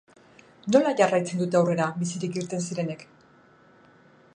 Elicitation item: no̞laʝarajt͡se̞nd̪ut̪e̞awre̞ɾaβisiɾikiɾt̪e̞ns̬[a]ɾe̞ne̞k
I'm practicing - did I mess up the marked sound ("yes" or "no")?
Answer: yes